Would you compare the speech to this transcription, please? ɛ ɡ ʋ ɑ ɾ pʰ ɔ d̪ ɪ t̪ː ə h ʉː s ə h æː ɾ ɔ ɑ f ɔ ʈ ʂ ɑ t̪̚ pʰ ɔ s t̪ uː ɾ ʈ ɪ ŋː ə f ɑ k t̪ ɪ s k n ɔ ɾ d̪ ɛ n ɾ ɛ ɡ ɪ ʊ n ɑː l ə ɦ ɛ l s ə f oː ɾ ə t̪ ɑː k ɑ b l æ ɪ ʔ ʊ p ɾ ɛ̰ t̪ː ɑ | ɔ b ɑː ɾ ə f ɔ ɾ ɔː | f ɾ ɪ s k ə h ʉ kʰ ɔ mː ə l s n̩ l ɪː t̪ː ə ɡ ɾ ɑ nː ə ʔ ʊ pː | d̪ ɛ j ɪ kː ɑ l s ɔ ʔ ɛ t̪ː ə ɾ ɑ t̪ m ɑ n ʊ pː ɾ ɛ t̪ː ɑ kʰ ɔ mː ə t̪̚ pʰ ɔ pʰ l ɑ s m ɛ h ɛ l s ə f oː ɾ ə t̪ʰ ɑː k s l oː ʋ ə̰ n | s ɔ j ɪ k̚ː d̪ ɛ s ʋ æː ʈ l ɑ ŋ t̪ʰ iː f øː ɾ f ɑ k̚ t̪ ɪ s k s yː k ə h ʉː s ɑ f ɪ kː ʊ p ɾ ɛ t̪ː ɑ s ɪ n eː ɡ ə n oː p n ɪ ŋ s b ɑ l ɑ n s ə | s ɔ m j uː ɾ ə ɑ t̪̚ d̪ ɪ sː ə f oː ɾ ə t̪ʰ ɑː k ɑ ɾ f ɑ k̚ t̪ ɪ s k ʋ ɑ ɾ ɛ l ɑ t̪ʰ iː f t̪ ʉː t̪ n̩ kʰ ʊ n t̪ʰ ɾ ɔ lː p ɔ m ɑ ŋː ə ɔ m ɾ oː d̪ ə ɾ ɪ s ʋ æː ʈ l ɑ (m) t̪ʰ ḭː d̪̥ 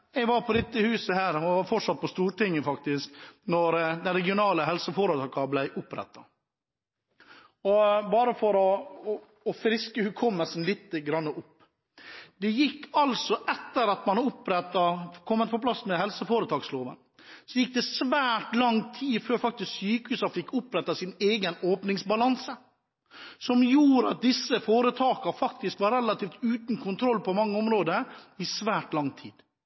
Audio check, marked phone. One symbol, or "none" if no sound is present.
ŋ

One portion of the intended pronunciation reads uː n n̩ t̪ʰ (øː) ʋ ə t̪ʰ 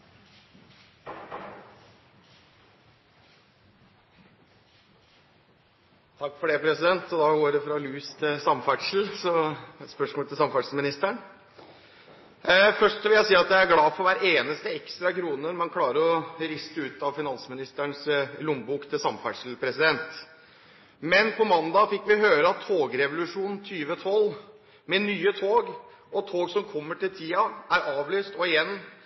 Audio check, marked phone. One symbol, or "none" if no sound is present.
yː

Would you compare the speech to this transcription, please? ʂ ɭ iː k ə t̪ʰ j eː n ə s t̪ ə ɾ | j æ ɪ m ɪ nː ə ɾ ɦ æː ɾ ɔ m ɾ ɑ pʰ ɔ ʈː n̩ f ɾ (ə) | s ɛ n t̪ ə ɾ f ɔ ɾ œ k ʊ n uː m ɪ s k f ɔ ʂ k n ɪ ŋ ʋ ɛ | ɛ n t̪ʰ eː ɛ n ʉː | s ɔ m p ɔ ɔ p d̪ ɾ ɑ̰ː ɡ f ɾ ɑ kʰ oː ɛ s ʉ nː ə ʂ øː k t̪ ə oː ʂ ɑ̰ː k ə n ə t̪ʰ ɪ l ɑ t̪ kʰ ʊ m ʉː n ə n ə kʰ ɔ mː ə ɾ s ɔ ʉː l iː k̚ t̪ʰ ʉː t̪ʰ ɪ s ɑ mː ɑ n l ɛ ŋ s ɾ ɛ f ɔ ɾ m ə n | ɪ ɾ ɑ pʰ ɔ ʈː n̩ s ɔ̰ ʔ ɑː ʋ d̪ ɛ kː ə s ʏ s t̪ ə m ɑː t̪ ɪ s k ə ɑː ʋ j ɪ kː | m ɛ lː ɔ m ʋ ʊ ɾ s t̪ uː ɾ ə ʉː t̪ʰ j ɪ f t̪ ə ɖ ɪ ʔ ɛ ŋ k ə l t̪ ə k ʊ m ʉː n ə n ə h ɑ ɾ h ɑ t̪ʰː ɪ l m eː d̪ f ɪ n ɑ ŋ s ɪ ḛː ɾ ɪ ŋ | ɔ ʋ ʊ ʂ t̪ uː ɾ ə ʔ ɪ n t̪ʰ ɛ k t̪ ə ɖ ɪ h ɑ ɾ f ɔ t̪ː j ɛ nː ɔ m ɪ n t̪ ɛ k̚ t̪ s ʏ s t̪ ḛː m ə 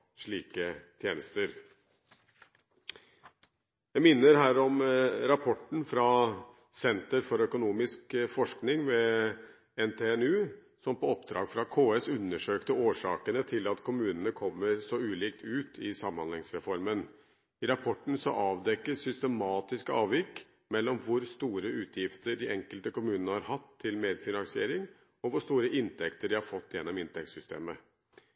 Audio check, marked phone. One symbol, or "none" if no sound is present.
ɑ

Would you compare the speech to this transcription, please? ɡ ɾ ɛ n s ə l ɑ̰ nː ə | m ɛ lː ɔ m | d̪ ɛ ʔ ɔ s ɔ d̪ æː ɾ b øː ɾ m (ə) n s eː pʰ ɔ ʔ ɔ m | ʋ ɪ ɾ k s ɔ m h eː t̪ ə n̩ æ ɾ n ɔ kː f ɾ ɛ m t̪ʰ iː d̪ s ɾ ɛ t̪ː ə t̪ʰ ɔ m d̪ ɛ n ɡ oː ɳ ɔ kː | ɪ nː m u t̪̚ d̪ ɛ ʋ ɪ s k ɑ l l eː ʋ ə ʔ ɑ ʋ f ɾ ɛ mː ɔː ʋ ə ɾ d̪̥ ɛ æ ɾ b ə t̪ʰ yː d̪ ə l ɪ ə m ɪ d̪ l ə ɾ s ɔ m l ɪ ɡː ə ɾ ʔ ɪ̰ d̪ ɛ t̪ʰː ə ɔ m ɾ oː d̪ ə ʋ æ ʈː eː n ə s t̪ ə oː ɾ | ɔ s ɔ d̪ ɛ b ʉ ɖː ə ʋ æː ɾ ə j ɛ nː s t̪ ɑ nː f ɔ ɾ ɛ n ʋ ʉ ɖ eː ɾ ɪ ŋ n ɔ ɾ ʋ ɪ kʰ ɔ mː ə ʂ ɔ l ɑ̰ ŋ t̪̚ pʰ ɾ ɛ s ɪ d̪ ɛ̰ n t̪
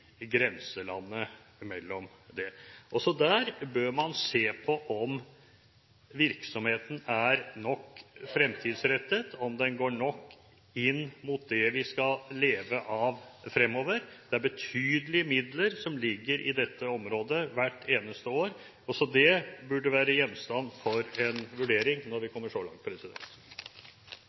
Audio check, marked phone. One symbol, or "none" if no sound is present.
ɑ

